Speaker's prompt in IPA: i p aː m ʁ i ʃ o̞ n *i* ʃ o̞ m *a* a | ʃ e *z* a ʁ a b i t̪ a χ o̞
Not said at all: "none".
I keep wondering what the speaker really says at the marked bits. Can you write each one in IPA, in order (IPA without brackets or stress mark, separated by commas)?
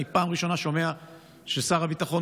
a, e, s